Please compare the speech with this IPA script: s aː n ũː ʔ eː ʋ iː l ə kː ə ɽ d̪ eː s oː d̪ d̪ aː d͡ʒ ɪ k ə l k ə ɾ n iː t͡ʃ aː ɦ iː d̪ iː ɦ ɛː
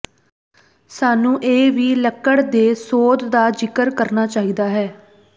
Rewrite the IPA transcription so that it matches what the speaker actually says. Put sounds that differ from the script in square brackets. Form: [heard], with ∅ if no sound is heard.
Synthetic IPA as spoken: s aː n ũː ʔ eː ʋ iː l ə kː ə ɽ d̪ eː s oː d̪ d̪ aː d͡ʒ ɪ k ə [ɾ] k ə ɾ n [aː] t͡ʃ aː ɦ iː d̪ [aː] ɦ ɛː